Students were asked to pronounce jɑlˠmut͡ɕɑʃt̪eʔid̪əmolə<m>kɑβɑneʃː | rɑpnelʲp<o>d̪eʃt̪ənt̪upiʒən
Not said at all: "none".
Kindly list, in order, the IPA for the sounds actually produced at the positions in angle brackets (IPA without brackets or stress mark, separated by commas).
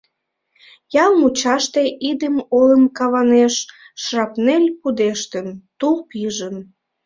m, u